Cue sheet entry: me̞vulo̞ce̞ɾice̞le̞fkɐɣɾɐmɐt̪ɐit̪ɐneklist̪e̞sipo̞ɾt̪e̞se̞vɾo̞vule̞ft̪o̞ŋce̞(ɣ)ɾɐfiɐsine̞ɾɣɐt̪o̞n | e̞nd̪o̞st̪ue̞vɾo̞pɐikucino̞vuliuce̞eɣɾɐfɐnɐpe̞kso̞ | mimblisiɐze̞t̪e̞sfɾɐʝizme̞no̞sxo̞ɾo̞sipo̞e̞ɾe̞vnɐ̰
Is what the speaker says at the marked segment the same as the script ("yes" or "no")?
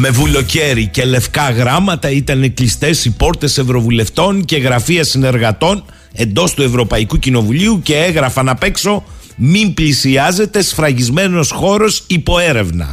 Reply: yes